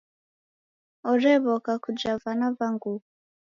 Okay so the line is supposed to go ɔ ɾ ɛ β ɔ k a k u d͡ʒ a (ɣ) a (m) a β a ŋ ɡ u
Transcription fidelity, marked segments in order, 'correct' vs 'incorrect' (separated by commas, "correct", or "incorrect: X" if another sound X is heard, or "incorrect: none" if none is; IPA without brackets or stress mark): incorrect: v, incorrect: n